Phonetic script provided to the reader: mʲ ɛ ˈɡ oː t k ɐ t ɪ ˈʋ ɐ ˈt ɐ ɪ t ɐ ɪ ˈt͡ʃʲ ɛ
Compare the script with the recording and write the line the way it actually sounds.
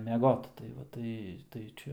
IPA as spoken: mʲ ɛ ˈɡ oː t t ɐ ɪ ˈʋ ɐ ˈt ɐ ɪ t ɐ ɪ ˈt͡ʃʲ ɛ